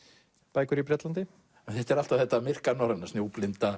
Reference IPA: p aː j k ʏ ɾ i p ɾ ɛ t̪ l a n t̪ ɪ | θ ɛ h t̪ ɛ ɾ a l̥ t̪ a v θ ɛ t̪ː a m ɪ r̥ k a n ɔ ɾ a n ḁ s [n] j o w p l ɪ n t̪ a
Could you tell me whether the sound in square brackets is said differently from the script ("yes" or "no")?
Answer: no